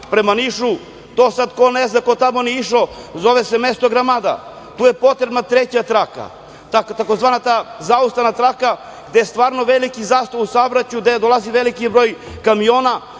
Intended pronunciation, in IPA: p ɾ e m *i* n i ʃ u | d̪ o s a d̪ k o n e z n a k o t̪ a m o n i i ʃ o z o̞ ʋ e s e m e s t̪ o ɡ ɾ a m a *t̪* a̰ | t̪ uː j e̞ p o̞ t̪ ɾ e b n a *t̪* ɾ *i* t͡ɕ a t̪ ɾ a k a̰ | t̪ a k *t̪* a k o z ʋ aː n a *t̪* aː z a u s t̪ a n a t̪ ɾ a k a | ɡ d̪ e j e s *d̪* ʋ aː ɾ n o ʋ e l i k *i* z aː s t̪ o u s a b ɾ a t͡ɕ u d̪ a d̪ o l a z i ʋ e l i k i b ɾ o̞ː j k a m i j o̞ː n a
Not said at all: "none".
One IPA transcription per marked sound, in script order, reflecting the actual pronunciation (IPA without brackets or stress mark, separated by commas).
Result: a, d̪, t̪, e, t̪, t̪, t̪, i